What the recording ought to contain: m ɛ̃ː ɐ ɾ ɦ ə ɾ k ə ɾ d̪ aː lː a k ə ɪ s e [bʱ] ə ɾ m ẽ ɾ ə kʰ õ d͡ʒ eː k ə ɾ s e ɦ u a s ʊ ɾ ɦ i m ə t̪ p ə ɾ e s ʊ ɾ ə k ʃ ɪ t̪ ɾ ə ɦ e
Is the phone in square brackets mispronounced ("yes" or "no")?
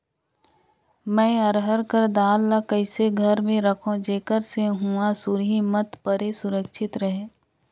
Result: yes